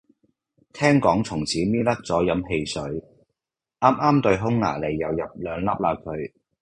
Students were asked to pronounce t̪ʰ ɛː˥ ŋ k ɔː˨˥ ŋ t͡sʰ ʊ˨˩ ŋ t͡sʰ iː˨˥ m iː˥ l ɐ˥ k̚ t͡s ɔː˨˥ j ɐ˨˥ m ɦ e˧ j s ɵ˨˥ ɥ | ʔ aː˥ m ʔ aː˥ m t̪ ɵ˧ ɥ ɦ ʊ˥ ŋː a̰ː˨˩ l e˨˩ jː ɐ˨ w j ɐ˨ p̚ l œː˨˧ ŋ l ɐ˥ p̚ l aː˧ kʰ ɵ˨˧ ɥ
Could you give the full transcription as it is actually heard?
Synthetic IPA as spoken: t̪ʰ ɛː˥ ŋ k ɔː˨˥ ŋ t͡sʰ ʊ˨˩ ŋ t͡sʰ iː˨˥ m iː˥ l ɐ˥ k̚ t͡s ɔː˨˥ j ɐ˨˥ m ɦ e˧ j s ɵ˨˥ ɥ | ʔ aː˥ m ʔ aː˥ m t̪ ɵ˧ ɥ ɦ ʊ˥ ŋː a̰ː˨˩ l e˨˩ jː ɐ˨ w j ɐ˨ p̚ l œː˨˧ ŋ l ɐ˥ p̚ l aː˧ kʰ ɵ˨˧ ɥ